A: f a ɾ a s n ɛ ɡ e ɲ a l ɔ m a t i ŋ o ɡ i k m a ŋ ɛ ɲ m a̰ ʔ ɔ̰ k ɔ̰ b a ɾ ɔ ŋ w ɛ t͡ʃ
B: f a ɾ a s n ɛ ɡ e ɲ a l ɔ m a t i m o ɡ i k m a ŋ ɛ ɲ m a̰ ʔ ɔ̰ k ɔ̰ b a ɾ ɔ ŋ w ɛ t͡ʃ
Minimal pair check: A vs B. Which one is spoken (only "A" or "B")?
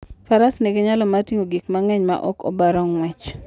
A